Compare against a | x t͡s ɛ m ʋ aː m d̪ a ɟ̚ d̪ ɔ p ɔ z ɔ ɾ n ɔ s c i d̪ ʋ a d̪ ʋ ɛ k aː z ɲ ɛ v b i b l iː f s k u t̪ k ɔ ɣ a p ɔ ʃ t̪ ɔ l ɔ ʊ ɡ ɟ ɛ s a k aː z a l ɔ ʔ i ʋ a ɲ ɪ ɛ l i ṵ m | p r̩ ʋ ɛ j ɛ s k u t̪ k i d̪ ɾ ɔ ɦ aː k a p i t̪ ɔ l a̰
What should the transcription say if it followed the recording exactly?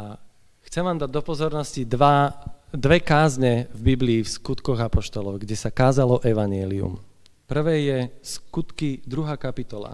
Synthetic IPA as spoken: a | x t͡s ɛ m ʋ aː m d̪ a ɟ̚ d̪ ɔ p ɔ z ɔ ɾ n ɔ s c i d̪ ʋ a d̪ ʋ ɛ k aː z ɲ ɛ v b i b l iː f s k u t̪ k ɔ ɣ a p ɔ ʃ t̪ ɔ l ɔ ʊ ɡ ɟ ɛ s a k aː z a l ɔ ʔ ɛ ʋ a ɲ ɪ ɛ l i ṵ m | p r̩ ʋ ɛ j ɛ s k u t̪ k i d̪ ɾ u ɦ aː k a p i t̪ ɔ l a̰